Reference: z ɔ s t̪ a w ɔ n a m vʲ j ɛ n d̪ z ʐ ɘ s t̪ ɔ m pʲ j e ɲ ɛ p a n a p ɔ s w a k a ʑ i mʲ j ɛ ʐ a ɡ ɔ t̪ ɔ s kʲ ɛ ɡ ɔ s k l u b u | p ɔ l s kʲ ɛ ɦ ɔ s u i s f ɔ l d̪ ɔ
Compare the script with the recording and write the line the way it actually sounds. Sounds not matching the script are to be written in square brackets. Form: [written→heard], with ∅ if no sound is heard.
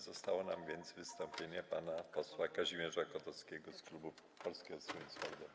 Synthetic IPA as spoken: z ɔ s t̪ a w ɔ n a m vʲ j ɛ n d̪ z [ʐ→v] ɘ s t̪ ɔ m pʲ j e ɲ ɛ p a n a p ɔ s w a k a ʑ i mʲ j ɛ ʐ a [ɡ→k] ɔ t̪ ɔ s kʲ ɛ ɡ ɔ s k l u b u | p ɔ l s kʲ ɛ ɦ ɔ s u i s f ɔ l d̪ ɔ

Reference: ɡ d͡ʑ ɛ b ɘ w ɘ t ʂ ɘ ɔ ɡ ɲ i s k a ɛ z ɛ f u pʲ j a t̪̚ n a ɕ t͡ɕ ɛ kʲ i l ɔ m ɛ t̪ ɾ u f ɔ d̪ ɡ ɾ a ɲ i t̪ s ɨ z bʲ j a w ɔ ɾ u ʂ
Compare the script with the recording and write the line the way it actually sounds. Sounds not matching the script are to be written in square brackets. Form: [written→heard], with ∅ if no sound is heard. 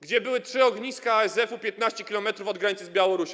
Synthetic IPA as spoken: ɡ d͡ʑ ɛ b ɘ w ɘ t ʂ ɘ ɔ ɡ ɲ i s k a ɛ z ɛ f u pʲ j [a→ɛ] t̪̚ n a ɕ t͡ɕ ɛ kʲ i l ɔ m ɛ t̪ ɾ u f ɔ d̪ ɡ ɾ a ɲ i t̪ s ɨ z bʲ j a w ɔ ɾ u [ʂ→ɕ]

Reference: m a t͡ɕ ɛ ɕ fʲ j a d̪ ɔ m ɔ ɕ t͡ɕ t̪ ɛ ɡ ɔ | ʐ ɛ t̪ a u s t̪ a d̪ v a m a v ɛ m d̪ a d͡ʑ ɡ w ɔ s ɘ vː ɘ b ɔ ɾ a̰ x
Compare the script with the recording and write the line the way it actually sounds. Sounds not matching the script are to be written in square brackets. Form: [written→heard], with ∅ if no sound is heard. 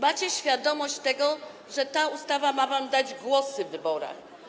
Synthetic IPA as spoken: m a t͡ɕ ɛ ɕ fʲ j a d̪ ɔ m ɔ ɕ t͡ɕ t̪ ɛ ɡ ɔ | ʐ ɛ t̪ a u s t̪ a [d̪→∅] v a m a v [ɛ→a] m d̪ a d͡ʑ ɡ w ɔ s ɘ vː ɘ b ɔ ɾ a̰ x

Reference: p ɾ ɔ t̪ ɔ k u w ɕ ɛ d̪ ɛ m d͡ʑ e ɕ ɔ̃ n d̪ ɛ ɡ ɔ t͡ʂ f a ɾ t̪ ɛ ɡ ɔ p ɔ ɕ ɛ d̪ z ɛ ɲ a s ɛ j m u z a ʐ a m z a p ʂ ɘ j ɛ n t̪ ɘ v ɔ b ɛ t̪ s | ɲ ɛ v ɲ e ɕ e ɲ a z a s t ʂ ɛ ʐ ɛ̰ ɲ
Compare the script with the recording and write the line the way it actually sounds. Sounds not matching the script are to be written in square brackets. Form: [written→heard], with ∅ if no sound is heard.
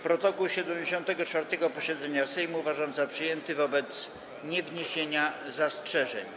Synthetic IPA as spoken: p ɾ ɔ t̪ ɔ k u w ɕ ɛ d̪ ɛ m d͡ʑ e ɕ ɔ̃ n [d̪→t̪] ɛ ɡ ɔ t͡ʂ f a ɾ t̪ ɛ ɡ ɔ p ɔ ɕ ɛ d̪ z ɛ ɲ a s ɛ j m u [z→v] a ʐ a m z a p ʂ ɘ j ɛ n t̪ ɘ v ɔ b ɛ t̪ s | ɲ ɛ v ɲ e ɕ e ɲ a z a s t ʂ ɛ ʐ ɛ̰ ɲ

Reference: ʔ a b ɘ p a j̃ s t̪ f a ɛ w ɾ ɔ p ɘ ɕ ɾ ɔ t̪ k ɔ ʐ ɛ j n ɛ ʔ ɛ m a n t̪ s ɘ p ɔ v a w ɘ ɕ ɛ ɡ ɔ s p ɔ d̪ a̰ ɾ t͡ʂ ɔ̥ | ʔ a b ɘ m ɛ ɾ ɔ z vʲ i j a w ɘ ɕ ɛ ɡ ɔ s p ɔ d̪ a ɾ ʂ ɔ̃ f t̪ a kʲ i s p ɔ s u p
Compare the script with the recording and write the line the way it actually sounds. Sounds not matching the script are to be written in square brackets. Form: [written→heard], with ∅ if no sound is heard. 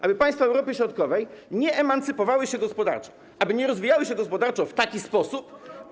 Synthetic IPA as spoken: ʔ a b ɘ p a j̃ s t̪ f a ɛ w ɾ ɔ p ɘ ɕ ɾ ɔ t̪ k ɔ [ʐ→v] ɛ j [n→ɲ] ɛ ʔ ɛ m a n t̪ s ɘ p ɔ v a w ɘ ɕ ɛ ɡ ɔ s p ɔ d̪ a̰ ɾ t͡ʂ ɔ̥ | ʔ a b ɘ [m→ɲ] ɛ ɾ ɔ z vʲ i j a w ɘ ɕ ɛ ɡ ɔ s p ɔ d̪ a ɾ [ʂ→t͡ʂ] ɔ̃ f t̪ a kʲ i s p ɔ s u p

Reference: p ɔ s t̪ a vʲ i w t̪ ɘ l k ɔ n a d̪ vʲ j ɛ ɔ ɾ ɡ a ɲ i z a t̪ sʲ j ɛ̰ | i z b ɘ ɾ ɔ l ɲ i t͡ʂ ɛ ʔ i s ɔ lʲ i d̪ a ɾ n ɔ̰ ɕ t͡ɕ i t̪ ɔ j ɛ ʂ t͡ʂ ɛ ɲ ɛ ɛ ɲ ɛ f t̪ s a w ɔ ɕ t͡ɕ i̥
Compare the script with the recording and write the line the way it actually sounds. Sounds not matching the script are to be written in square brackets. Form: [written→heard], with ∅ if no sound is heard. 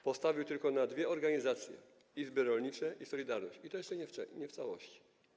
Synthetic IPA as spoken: p ɔ s t̪ a vʲ i w t̪ ɘ l k ɔ n a d̪ vʲ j ɛ ɔ ɾ ɡ a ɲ i z a t̪ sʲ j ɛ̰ | i z b ɘ ɾ ɔ l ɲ i t͡ʂ ɛ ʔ i s ɔ lʲ i d̪ a ɾ n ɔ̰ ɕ t͡ɕ i t̪ ɔ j ɛ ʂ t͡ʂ ɛ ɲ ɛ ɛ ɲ ɛ f t̪ s a w ɔ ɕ t͡ɕ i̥

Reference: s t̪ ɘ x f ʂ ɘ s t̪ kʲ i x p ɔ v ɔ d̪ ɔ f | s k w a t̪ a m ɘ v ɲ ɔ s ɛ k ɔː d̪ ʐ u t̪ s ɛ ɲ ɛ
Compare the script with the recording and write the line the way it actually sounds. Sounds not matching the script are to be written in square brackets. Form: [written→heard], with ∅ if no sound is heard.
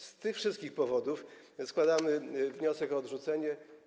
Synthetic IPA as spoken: s t̪ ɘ x f ʂ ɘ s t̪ kʲ i x p ɔ v ɔ d̪ [ɔ→u] f | s k w a [t̪→d̪] a m ɘ v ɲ ɔ s ɛ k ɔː d̪ ʐ u t̪ s ɛ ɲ ɛ

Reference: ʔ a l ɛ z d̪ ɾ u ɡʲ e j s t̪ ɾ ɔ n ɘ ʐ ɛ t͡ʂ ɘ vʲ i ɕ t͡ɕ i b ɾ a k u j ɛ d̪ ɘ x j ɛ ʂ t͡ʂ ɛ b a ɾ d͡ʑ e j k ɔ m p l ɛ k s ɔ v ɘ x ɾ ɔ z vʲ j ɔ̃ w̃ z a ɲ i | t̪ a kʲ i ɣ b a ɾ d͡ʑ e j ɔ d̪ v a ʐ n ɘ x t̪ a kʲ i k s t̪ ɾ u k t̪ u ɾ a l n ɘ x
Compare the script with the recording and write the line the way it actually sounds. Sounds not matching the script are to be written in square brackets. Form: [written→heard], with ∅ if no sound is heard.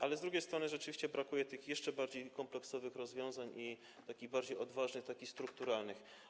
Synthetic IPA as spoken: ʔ a l ɛ z d̪ ɾ u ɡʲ e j s t̪ ɾ ɔ n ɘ ʐ ɛ t͡ʂ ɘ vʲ i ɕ t͡ɕ [i→ɛ] b ɾ a k u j ɛ [d̪→t̪] ɘ x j ɛ ʂ t͡ʂ ɛ b a ɾ d͡ʑ e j k ɔ m p l ɛ k s ɔ v ɘ x ɾ ɔ z vʲ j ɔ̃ w̃ z a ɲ i | t̪ a kʲ i ɣ b a ɾ d͡ʑ e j ɔ d̪ v a ʐ n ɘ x t̪ a kʲ i [k→x] s t̪ ɾ u k t̪ u ɾ a l n ɘ x

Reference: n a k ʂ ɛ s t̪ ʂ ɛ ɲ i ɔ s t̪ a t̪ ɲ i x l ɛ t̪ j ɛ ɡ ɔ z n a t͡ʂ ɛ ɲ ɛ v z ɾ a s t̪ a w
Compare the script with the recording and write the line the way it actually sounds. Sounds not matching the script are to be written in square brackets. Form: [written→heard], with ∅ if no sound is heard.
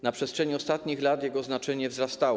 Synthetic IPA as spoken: n a [k→p] ʂ ɛ s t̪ ʂ ɛ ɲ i ɔ s t̪ a t̪ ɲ i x l [ɛ→a] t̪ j ɛ ɡ ɔ z n a t͡ʂ ɛ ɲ ɛ v z ɾ a s t̪ a w

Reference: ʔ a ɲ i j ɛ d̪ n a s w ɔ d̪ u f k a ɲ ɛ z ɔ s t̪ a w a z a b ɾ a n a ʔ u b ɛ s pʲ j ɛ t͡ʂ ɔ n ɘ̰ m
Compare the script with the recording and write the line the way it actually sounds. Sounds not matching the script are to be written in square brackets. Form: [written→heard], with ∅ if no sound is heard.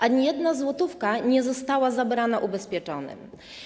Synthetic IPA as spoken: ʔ a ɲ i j ɛ d̪ n a [s→z] w ɔ [d̪→t̪] u f k a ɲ ɛ z ɔ s t̪ a w a z a b ɾ a n a ʔ u b ɛ s pʲ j ɛ t͡ʂ ɔ n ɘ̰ m

